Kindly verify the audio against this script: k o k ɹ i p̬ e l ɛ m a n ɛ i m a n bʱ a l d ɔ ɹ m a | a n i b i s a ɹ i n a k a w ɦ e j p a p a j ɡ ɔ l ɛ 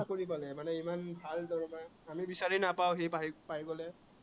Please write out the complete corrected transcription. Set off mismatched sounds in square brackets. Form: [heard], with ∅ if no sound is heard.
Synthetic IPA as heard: k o [∅] ɹ i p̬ [a] l ɛ m a n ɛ i m a n bʱ a l d ɔ ɹ m a | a [m] i b i s a ɹ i n a [p] a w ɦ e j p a p a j ɡ ɔ l ɛ